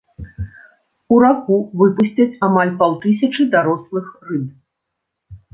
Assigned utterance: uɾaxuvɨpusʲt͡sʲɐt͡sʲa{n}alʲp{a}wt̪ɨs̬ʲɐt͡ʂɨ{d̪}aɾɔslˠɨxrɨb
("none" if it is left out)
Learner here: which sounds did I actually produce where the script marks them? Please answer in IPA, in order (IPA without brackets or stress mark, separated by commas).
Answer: m, a, d̪